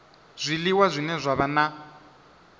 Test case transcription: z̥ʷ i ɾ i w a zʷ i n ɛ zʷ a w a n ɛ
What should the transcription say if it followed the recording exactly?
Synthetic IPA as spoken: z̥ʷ i l i w a zʷ i n ɛ zʷ a β a n a

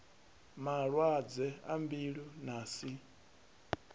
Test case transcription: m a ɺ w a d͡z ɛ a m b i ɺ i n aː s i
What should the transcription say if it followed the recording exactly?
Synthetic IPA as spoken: m a ɺ w a d͡z ɛ a m b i ɺ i n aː s i

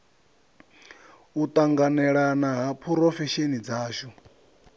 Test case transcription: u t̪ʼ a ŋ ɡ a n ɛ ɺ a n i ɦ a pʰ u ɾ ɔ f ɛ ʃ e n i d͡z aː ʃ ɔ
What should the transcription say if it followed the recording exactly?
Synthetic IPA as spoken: u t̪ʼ a ŋ ɡ a n ɛ ɺ a n a ɦ a pʰ u ɾ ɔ f ɛ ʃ e n i d͡z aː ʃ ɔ

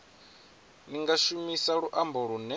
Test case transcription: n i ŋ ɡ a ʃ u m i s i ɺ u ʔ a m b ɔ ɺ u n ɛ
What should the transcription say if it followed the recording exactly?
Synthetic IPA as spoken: n i ŋ ɡ a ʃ u m i s a ɺ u ʔ a m b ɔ ɺ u n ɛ

